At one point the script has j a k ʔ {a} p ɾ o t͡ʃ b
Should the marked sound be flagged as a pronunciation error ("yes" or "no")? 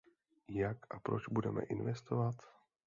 no